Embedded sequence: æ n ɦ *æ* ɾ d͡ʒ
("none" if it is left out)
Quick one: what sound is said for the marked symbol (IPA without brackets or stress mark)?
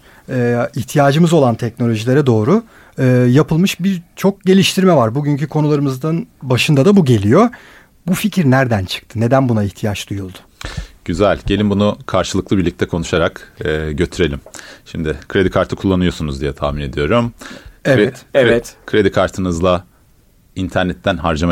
a